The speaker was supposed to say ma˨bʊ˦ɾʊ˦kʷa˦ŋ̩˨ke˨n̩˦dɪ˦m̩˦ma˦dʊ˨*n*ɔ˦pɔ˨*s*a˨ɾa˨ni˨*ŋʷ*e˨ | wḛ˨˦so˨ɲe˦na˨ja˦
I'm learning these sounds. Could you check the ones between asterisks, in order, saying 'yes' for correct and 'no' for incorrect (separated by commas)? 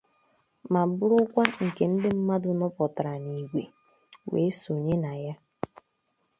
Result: yes, no, no